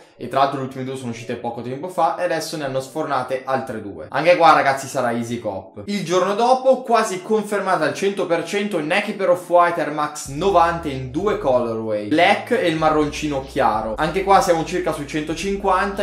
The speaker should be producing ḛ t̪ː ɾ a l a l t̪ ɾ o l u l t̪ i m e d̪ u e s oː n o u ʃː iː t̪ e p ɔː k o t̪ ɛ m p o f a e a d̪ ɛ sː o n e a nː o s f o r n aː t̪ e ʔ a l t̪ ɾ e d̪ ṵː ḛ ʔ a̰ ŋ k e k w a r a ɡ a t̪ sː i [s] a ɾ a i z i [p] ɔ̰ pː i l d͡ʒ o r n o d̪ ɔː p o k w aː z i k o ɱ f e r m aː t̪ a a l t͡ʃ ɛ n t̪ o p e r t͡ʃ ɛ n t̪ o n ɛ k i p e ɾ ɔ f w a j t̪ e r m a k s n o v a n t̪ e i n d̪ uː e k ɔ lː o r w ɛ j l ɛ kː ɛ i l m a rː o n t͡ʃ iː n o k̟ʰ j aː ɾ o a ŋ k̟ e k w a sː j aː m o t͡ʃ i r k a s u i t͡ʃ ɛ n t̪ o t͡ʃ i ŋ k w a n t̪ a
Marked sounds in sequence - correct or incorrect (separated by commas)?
correct, incorrect